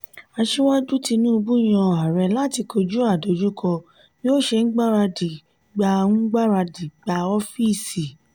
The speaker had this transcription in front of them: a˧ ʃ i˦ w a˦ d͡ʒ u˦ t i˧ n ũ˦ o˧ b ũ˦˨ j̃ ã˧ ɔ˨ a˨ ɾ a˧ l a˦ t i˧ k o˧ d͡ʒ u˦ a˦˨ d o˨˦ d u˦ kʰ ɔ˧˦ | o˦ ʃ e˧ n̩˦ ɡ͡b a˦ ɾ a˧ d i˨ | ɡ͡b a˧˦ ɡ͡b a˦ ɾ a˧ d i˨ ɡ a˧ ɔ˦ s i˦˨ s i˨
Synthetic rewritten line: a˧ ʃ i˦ w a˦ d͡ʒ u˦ t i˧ n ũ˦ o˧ b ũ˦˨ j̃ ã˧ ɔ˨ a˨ ɾ ɛ˧ l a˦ t i˧ k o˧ d͡ʒ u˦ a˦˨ d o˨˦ d͡ʒ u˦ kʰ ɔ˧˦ | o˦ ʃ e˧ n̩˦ ɡ͡b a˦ ɾ a˧ d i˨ | ɡ͡b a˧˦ ɡ͡b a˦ ɾ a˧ d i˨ ɡ͡b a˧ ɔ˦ f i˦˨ s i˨